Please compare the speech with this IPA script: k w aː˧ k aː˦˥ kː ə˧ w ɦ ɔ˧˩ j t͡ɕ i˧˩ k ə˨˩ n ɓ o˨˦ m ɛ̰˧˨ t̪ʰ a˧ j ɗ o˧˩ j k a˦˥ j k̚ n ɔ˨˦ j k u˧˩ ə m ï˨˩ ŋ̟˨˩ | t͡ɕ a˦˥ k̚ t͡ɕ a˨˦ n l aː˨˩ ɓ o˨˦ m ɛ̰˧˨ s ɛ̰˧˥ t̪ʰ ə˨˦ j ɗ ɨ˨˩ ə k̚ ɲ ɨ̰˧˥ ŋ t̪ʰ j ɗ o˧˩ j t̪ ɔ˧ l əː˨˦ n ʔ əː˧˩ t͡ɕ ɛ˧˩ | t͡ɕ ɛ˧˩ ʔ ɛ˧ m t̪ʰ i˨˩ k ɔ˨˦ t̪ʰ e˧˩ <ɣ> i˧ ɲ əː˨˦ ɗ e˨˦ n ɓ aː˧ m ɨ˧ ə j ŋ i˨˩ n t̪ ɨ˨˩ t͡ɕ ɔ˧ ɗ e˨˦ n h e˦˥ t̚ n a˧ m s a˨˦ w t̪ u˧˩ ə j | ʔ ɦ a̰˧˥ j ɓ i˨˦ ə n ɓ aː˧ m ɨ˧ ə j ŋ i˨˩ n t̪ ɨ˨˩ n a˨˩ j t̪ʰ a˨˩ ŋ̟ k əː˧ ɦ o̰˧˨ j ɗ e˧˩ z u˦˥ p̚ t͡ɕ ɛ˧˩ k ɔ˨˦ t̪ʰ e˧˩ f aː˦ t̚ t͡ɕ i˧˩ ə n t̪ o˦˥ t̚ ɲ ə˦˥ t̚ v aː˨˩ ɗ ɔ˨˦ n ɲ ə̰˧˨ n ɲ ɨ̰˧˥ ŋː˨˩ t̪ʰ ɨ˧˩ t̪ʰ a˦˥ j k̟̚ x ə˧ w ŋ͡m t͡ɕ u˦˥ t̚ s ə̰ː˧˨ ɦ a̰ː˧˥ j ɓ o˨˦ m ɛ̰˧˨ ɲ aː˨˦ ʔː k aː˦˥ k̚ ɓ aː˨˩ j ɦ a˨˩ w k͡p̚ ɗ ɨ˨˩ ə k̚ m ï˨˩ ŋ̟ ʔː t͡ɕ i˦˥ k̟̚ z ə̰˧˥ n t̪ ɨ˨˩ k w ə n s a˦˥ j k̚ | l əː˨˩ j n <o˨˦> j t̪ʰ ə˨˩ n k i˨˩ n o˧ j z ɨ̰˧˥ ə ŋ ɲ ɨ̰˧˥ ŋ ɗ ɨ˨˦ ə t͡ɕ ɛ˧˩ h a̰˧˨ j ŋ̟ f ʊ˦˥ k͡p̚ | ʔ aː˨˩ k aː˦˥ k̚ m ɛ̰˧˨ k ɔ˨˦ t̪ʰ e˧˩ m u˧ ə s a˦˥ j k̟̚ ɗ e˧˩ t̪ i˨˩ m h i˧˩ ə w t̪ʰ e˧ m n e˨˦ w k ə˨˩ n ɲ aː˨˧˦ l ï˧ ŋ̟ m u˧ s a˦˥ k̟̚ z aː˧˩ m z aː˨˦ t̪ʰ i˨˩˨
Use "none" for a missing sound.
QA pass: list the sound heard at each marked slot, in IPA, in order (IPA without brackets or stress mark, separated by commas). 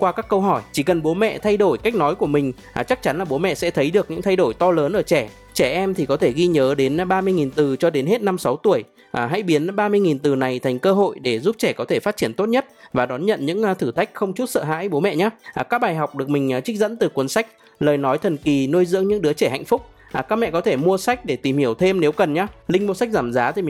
ɣ, ɔ˨˦